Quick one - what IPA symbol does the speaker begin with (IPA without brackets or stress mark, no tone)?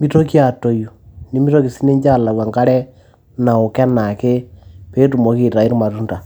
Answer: m